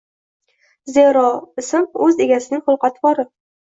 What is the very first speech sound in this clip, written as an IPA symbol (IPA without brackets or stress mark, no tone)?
z